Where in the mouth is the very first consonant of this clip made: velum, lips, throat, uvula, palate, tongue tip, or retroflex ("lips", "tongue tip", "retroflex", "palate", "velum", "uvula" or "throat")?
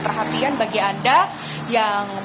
lips